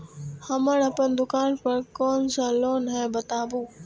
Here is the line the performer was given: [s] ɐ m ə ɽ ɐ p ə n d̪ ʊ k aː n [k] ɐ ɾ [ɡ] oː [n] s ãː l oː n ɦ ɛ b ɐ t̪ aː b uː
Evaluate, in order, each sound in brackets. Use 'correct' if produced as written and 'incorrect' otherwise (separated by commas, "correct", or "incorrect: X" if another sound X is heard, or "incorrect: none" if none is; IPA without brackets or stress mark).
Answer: incorrect: h, incorrect: p, incorrect: k, correct